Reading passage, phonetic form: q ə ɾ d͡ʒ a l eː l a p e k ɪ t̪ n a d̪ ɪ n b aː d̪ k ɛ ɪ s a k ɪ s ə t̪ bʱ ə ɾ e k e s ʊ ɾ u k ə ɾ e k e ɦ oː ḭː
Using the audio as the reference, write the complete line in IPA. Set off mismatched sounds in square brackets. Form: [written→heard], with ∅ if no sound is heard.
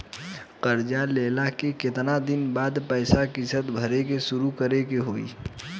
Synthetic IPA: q ə ɾ d͡ʒ a l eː l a [p→k] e k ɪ t̪ n a d̪ ɪ n b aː d̪ [k→p] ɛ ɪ s a k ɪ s ə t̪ bʱ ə ɾ e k e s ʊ ɾ u k ə ɾ e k e ɦ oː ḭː

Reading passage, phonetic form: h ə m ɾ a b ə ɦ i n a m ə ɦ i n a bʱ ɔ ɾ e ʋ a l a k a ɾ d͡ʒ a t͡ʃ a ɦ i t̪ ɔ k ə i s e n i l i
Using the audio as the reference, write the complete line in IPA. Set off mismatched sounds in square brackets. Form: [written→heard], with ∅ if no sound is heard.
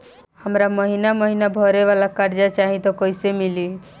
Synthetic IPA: h ə m ɾ a [b→m] ə ɦ i n a m ə ɦ i n a bʱ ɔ ɾ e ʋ a l a k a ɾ d͡ʒ a t͡ʃ a ɦ i t̪ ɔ k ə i s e [n→m] i l i

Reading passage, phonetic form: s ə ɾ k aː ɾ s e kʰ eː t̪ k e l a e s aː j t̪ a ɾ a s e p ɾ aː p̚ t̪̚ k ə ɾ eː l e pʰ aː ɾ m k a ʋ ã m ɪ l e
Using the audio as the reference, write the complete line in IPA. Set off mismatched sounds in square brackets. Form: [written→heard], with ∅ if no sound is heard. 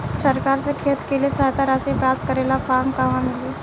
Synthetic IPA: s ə ɾ k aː ɾ s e kʰ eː t̪ k e l [a→i] e s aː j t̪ a ɾ a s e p ɾ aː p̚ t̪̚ k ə ɾ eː l [e→a] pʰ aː ɾ m k a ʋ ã m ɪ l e

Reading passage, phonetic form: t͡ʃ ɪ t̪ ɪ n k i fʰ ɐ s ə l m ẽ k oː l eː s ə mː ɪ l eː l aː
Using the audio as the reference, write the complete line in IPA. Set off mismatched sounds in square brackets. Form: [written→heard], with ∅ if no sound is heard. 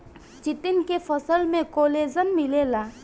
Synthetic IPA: t͡ʃ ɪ t̪ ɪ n k [i→e] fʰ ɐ s ə l m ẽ k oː l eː [s→z] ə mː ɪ l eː l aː

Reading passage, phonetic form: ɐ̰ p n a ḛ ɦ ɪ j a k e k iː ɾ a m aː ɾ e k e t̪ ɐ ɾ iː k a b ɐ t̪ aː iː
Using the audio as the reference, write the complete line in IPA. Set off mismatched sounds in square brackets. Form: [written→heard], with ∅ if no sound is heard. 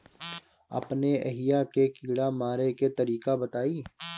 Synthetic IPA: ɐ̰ p n [a→e] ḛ ɦ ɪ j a k e k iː [ɾ→ɽ] a m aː ɾ e k e t̪ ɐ ɾ iː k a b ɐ t̪ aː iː

